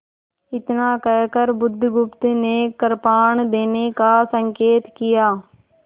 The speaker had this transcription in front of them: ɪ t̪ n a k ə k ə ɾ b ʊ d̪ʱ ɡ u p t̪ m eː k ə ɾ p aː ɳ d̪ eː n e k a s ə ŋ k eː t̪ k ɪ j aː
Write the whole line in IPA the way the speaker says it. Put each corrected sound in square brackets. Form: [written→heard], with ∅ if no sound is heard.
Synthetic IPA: ɪ t̪ n a k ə k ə ɾ b ʊ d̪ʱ ɡ [u→ʊ] p t̪ [m→n] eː k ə ɾ p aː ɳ d̪ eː n e k a s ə ŋ k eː t̪ k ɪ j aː